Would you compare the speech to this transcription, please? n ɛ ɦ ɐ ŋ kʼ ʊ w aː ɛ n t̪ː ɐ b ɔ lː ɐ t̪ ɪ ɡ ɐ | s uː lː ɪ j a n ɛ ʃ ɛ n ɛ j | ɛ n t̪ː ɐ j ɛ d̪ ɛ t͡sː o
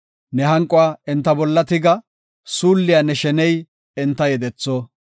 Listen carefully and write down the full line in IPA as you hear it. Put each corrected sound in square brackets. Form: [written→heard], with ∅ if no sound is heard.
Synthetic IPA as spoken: n ɛ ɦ ɐ ŋ kʼ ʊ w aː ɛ n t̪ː ɐ b ɔ lː ɐ t̪ ɪ ɡ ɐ | s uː lː ɪ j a n ɛ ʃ ɛ n ɛ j | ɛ n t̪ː ɐ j ɛ d̪ ɛ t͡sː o